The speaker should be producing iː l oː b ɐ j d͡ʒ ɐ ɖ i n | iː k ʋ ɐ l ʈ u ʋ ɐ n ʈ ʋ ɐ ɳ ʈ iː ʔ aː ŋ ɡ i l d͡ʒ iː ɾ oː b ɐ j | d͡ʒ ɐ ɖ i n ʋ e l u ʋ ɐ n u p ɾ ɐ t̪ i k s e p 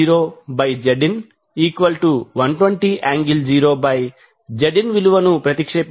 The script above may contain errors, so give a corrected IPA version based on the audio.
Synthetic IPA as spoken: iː ɾ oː b ɐ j d͡ʒ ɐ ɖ i n | iː k ʋ ɐ l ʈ u ʋ ɐ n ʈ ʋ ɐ ɳ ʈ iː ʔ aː ŋ ɡ i l d͡ʒ iː ɾ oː b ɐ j | d͡ʒ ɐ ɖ i n ʋ i l u ʋ ɐ n u p ɾ ɐ t̪ i k ʂ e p

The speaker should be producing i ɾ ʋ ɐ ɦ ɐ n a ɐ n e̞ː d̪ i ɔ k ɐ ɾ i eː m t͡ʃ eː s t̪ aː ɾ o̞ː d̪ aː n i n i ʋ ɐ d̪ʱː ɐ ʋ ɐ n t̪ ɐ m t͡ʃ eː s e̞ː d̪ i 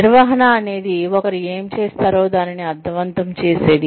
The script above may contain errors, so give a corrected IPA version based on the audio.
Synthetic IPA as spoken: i ɾ ʋ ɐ ɦ ɐ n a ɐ n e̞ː d̪ i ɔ k ɐ ɾ i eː m t͡ʃ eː s t̪ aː ɾ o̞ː d̪ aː n i n i ɐ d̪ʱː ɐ ʋ ɐ n t̪ ɐ m t͡ʃ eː s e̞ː d̪ i

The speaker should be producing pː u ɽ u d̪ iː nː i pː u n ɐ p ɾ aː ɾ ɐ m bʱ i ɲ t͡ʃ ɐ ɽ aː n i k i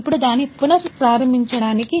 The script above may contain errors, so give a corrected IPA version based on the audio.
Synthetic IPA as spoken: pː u ɽ u d̪ aː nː i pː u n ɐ p ɾ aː ɾ ɐ m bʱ i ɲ t͡ʃ ɐ ɽ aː n i k i

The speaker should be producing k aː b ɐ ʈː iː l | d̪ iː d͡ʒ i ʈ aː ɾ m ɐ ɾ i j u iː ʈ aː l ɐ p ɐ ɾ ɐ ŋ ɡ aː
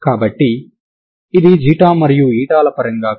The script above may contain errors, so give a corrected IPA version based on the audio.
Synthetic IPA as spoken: k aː b ɐ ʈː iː | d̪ i d͡ʒ iː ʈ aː m ɐ ɾ i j u iː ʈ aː l ɐ p ɐ ɾ ɐ ŋ ɡ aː

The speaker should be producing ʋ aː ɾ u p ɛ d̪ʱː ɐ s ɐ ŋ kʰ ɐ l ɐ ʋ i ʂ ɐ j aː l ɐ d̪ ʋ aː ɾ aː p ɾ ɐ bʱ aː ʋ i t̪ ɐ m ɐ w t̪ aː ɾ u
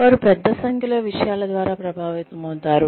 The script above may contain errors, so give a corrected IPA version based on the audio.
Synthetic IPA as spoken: ʋ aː ɾ u p ɛ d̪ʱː ɐ s ɐ ŋ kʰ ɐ l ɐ ʋ i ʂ ɐ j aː l ɐ d̪ ʋ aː ɾ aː p ɾ ɐ bʱ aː ʋ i t̪ ɐ m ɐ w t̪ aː ɾ u

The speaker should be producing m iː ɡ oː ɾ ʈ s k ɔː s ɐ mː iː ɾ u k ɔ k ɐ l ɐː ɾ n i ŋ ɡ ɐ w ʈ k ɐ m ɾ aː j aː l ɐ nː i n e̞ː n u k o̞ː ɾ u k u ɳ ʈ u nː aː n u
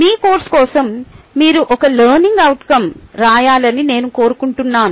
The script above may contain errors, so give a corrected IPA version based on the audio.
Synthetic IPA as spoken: m iː k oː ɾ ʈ s k ɔː s ɐ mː iː ɾ u ʔ ɔ k ɐ l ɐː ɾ n i ŋ ɡ ɐ w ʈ k ɐ m ɾ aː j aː l ɐ n i n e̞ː n u k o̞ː ɾ u k u ɳ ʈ u nː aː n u

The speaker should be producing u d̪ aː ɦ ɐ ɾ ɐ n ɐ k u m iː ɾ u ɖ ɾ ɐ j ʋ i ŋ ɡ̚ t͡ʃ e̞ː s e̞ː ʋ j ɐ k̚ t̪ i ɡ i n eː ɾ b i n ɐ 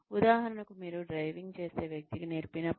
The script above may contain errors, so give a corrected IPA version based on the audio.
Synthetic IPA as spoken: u d̪ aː ɦ ɐ ɾ ɐ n ɐ k u m iː ɾ u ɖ ɾ ɐ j ʋ i ŋ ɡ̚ t͡ʃ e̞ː s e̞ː ʋ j ɐ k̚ t̪ i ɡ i n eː ɾ p i n ɐ

